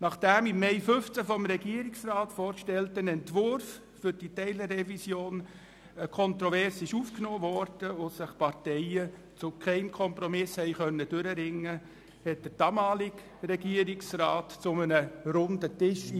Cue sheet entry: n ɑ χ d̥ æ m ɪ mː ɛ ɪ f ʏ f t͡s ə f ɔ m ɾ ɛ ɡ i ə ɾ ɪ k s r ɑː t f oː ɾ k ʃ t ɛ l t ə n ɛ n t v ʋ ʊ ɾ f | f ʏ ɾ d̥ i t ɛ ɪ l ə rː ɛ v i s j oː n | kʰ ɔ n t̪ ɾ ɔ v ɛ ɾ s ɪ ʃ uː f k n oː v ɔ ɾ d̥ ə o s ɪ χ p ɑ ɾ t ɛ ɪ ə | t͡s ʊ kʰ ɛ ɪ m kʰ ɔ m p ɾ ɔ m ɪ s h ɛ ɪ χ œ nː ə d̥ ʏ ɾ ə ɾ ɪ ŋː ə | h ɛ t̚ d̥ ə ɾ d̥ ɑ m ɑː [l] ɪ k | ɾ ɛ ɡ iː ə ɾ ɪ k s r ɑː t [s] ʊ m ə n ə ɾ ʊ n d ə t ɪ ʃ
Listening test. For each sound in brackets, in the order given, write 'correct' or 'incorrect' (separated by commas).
correct, incorrect